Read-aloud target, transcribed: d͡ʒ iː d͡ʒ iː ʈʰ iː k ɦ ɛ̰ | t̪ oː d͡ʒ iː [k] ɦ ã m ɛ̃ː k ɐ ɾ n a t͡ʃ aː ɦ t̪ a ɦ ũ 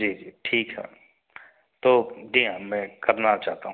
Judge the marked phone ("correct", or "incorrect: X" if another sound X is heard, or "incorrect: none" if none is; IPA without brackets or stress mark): incorrect: none